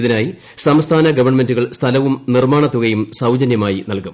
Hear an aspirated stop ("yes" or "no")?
yes